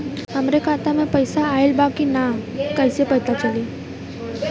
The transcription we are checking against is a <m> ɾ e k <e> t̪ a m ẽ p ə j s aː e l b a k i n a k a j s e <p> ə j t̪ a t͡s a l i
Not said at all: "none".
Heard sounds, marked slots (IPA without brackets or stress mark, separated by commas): m, a, p